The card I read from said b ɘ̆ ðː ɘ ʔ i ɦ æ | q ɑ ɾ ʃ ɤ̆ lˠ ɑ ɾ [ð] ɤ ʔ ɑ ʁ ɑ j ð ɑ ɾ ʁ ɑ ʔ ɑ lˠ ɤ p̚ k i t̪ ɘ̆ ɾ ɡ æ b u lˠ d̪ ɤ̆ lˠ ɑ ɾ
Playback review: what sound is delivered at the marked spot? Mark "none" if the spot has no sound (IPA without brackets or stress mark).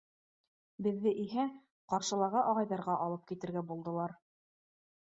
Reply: ʁ